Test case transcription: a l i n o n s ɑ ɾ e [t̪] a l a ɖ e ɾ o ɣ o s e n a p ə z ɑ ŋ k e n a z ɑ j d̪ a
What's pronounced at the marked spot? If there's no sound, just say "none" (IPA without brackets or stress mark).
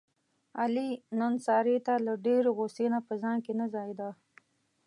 t̪